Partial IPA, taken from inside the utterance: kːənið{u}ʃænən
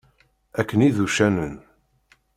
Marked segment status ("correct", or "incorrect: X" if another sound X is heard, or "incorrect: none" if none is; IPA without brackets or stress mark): correct